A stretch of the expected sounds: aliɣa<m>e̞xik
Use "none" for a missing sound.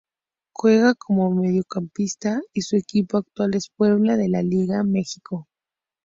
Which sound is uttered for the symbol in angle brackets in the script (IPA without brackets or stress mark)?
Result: m